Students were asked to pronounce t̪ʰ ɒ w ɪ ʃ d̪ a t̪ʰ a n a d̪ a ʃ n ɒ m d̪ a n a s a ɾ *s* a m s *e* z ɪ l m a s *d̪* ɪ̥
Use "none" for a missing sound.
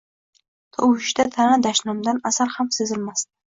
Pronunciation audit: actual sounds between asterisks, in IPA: h, e, t̪

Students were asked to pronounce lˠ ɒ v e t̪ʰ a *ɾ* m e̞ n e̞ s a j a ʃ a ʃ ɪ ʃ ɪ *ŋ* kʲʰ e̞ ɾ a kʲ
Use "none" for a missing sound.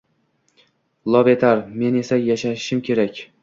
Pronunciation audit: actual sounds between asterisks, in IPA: ɾ, m

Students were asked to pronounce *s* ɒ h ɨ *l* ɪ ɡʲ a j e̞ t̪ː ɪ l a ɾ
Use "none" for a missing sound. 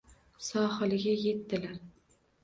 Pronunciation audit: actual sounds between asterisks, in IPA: s, l

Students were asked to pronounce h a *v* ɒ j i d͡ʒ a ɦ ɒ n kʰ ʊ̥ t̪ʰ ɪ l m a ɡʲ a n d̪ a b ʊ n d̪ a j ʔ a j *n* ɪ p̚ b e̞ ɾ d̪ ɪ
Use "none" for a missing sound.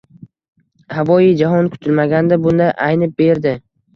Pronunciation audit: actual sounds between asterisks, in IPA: v, n

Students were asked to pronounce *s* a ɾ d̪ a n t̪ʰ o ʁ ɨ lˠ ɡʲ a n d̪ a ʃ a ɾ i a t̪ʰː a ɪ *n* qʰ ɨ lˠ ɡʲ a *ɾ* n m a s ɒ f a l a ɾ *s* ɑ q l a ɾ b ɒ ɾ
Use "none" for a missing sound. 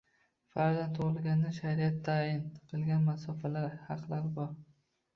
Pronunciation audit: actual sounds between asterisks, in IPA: f, n, none, h

